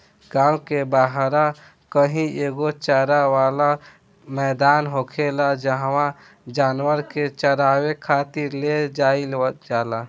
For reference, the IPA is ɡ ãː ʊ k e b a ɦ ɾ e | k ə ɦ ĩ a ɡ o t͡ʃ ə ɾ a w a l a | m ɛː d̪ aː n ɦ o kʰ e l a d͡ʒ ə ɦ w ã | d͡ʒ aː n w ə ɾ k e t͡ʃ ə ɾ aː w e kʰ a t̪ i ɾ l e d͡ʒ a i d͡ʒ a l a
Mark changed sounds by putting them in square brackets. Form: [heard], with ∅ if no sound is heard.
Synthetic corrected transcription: ɡ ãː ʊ k e b a ɦ ɾ [a] | k ə ɦ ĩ [e] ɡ o t͡ʃ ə ɾ a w a l a | m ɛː d̪ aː n ɦ o kʰ e l a d͡ʒ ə ɦ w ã | d͡ʒ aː n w ə ɾ k e t͡ʃ ə ɾ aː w e kʰ a t̪ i ɾ l e d͡ʒ a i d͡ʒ a l a